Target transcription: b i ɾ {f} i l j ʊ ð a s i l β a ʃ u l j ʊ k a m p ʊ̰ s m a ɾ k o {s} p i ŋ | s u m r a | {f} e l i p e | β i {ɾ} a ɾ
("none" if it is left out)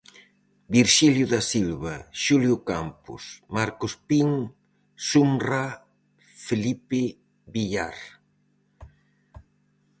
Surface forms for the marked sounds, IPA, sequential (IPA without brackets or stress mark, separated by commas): ʃ, s, f, ʎ